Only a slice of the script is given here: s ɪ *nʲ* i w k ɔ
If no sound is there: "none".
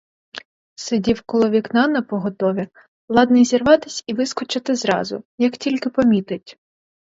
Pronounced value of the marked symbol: dʲ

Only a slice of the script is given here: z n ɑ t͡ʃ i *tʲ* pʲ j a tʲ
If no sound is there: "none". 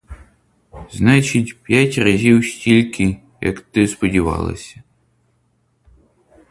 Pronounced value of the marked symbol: tʲ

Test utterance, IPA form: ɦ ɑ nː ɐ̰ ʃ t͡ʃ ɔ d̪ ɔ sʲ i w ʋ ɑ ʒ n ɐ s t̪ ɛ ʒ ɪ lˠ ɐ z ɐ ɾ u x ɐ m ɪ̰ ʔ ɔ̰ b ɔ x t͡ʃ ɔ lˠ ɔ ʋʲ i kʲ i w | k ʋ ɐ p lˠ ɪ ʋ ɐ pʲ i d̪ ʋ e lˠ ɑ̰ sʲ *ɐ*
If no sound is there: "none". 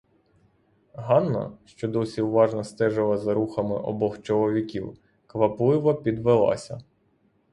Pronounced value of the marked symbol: ɐ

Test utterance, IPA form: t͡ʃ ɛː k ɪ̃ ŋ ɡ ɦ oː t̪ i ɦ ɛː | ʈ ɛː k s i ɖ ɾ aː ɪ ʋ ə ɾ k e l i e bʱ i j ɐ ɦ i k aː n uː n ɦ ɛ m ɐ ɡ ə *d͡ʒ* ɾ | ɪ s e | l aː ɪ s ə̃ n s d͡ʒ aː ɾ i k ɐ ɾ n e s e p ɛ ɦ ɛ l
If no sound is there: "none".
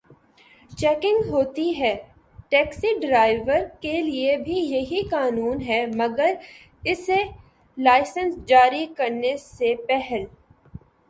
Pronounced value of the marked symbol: none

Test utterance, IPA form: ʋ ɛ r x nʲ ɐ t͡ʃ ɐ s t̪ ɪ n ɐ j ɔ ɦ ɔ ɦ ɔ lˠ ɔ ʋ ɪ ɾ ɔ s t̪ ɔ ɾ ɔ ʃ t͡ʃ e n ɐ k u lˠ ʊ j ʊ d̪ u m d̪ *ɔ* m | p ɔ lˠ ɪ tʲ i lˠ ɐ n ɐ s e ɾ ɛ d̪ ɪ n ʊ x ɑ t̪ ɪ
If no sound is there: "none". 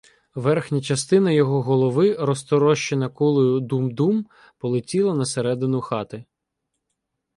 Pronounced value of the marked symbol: u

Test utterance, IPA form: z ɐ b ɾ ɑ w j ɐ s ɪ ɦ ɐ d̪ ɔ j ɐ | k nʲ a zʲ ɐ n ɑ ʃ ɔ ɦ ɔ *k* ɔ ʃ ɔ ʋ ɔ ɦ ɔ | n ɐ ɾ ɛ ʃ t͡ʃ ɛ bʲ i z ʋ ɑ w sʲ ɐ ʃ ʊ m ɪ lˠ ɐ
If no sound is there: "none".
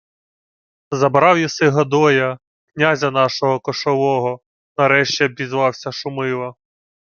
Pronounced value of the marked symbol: k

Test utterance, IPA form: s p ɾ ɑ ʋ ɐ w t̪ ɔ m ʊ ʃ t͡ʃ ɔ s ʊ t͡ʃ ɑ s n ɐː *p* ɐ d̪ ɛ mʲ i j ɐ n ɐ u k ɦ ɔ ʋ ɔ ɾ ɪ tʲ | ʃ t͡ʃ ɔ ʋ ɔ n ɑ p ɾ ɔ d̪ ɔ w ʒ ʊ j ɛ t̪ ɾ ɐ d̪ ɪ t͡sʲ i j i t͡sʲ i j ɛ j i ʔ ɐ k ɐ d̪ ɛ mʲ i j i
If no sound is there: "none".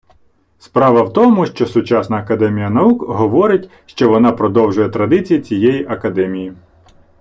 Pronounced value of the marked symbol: k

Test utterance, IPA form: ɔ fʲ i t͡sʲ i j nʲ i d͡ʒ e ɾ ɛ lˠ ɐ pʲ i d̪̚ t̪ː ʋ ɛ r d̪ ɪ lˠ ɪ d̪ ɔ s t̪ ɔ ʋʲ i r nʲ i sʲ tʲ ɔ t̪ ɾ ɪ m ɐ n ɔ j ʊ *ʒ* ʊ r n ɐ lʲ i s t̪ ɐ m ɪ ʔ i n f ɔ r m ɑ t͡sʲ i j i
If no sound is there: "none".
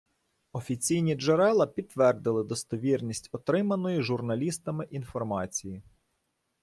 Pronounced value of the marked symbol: ʒ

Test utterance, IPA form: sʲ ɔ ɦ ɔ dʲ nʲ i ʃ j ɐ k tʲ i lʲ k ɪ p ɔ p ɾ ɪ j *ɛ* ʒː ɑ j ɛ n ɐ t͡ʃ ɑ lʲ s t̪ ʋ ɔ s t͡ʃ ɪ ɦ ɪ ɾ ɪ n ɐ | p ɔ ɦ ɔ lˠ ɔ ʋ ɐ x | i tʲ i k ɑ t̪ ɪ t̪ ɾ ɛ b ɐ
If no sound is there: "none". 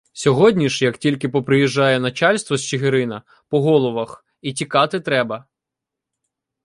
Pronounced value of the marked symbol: i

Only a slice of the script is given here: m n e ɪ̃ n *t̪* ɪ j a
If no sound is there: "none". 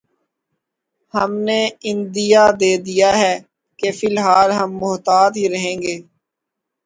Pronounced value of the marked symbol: d̪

